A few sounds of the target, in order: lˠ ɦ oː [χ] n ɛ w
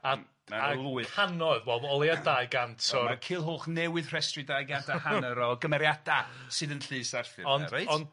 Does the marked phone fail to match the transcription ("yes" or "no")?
no